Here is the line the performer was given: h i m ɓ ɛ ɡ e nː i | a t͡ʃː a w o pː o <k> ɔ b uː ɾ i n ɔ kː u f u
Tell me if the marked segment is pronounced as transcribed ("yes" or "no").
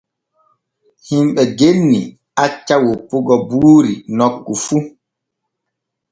no